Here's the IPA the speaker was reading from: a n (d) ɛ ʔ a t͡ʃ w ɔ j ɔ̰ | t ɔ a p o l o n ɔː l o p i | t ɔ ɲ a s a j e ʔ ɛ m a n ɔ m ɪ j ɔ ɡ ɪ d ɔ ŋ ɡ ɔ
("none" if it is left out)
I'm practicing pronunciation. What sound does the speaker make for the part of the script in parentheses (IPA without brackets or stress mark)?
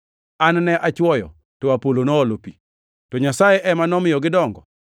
n